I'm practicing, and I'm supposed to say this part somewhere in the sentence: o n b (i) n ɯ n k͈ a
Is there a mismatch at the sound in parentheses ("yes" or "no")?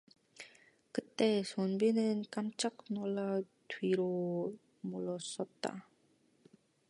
no